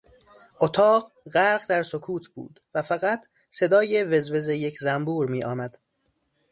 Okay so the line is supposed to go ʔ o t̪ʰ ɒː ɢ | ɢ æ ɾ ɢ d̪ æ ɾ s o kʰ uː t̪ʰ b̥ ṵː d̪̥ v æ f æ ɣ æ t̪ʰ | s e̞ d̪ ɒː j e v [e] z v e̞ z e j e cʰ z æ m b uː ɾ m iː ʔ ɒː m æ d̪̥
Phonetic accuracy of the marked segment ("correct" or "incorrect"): correct